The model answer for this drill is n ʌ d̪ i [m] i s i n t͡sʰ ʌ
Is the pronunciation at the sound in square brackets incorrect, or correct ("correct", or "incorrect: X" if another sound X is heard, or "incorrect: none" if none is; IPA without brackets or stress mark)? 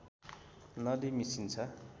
correct